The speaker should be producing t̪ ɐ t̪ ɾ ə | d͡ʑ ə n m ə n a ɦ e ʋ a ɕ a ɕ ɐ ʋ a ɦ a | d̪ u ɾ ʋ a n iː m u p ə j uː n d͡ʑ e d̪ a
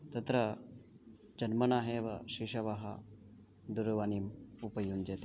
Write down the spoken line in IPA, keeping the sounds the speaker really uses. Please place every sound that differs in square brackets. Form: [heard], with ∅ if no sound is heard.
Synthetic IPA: t̪ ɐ t̪ ɾ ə | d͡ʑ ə n m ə n a ɦ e ʋ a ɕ [i] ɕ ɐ ʋ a ɦ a | d̪ u ɾ ʋ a n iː m u p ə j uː n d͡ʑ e [t̪] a

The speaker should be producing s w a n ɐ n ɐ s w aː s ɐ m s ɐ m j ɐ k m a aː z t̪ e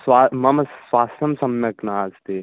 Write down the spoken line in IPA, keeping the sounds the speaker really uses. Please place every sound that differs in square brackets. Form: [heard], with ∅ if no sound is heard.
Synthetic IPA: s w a [m] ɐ [m] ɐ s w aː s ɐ m s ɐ m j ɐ k [n] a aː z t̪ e

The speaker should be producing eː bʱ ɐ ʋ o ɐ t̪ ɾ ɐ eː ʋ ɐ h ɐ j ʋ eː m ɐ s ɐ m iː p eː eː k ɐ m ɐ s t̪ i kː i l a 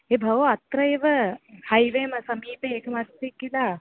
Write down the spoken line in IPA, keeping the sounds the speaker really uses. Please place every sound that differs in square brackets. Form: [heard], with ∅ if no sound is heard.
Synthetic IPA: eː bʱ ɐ ʋ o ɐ t̪ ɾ ɐ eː ʋ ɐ h ɐ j ʋ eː m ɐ s ɐ m iː p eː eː k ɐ m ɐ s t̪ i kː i l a

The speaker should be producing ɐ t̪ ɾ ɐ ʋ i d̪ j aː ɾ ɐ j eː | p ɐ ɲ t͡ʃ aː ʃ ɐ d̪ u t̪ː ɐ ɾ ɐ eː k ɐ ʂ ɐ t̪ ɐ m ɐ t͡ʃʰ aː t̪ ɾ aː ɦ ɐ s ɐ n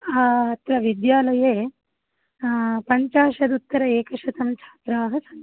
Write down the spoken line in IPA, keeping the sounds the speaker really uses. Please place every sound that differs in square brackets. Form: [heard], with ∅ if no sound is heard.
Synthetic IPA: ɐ t̪ ɾ ɐ ʋ i d̪ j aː [l] ɐ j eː | p ɐ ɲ t͡ʃ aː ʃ ɐ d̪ u t̪ː ɐ ɾ ɐ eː k ɐ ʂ ɐ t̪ ɐ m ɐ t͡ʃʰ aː t̪ ɾ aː ɦ ɐ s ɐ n

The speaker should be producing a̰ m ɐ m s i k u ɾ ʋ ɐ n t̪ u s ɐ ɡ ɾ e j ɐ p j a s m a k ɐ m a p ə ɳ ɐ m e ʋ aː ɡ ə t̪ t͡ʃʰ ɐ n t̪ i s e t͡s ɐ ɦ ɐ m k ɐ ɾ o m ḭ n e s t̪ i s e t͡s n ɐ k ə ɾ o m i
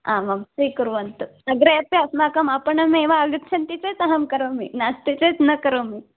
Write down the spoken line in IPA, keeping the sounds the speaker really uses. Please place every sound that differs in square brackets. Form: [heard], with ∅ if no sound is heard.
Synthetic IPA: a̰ m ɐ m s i k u ɾ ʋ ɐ n t̪ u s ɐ ɡ ɾ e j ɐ p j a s m a k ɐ m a p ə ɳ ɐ m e ʋ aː ɡ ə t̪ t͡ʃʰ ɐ n t̪ i [t͡s] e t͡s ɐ ɦ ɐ m k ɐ ɾ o m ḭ n [a] s t̪ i [t͡s] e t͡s n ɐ k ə ɾ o m i

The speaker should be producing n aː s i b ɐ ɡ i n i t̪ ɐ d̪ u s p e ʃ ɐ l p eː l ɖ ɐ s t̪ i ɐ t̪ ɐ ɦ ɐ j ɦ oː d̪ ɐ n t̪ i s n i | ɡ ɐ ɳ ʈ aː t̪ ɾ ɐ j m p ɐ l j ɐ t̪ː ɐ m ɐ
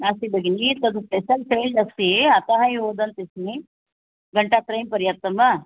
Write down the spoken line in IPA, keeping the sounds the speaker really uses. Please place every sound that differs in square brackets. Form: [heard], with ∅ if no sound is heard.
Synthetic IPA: n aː s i b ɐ ɡ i n i t̪ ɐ d̪ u s p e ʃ ɐ l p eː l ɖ ɐ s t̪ i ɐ t̪ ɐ ɦ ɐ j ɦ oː d̪ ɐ n t̪ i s n i | ɡ ɐ ɳ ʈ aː t̪ ɾ ɐ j m p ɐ [ɾ] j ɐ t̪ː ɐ m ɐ

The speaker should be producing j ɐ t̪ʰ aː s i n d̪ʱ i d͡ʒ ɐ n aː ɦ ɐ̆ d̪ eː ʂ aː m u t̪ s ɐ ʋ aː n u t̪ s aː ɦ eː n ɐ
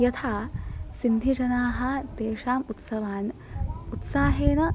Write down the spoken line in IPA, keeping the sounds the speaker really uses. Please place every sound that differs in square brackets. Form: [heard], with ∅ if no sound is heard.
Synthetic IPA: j ɐ t̪ʰ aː s i n d̪ʱ i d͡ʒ ɐ n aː ɦ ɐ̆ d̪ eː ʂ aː m u t̪ s ɐ ʋ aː n u t̪ s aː ɦ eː n ɐ

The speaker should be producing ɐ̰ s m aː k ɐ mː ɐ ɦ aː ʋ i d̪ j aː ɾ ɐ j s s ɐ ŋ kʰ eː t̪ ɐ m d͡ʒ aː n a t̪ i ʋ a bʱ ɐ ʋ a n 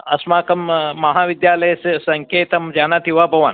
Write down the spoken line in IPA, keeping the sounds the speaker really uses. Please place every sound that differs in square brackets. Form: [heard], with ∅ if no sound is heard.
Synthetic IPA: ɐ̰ s m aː k ɐ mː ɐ ɦ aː ʋ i d̪ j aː [l] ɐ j s s ɐ ŋ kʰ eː t̪ ɐ m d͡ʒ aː n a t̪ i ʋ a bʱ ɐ ʋ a n

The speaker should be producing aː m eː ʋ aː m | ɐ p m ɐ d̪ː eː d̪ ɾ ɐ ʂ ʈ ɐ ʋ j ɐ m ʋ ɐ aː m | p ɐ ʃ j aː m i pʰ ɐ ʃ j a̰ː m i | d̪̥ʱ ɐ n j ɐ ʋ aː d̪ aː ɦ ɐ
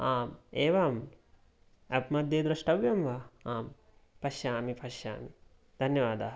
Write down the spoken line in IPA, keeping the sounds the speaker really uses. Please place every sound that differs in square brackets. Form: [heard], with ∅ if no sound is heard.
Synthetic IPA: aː m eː ʋ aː m | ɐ p m ɐ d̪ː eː d̪ ɾ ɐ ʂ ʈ ɐ ʋ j ɐ m ʋ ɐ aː m | p ɐ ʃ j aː m i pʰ ɐ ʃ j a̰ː m i | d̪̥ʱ ɐ n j ɐ ʋ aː d̪ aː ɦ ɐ

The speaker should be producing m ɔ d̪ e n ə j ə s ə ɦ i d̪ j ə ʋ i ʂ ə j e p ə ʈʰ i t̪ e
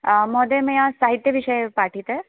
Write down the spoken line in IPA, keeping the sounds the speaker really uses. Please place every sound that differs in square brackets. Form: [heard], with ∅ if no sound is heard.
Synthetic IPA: m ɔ d̪ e [m] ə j [a] s [a] ɦ i [t̪] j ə ʋ i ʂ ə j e p [a] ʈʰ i t̪ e

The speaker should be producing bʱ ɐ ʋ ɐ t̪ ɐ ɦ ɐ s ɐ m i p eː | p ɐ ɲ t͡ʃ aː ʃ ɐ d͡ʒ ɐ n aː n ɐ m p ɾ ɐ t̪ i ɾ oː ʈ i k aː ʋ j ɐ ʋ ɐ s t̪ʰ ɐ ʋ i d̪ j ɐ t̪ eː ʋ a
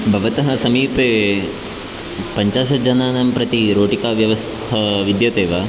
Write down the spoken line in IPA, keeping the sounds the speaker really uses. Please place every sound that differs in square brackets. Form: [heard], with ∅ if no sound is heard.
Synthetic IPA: bʱ ɐ ʋ ɐ t̪ ɐ ɦ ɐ s ɐ m [iː] p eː | p ɐ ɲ t͡ʃ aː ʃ ɐ d͡ʒ ɐ n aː n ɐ m p ɾ ɐ t̪ i ɾ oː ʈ i k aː ʋ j ɐ ʋ ɐ s t̪ʰ ɐ ʋ i d̪ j ɐ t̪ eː ʋ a

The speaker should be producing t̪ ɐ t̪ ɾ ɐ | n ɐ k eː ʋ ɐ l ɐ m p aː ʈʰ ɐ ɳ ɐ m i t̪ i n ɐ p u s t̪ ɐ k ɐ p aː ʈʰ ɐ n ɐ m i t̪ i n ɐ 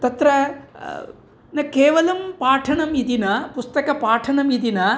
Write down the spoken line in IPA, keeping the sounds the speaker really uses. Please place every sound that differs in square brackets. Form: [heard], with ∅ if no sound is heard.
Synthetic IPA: t̪ ɐ t̪ ɾ ɐ | n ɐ k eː ʋ ɐ l ɐ m p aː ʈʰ ɐ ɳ ɐ m i [d̪] i n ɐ p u s t̪ ɐ k ɐ p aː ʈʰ ɐ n ɐ m i [d̪] i n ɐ

